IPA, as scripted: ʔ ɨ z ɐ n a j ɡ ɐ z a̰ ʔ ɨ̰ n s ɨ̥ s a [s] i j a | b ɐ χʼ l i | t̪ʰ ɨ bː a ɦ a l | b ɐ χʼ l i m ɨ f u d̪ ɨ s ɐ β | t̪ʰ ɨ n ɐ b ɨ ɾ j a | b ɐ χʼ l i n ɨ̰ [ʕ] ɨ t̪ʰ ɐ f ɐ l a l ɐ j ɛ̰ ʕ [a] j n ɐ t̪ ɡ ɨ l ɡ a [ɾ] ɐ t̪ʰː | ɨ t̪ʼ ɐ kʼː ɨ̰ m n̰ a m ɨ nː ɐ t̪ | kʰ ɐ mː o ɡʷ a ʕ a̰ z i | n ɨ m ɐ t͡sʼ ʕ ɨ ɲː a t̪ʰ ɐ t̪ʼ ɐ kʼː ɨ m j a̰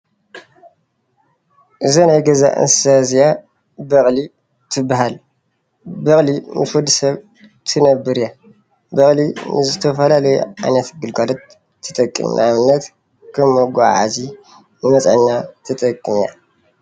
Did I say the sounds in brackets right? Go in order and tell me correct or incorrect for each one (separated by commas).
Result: incorrect, incorrect, correct, incorrect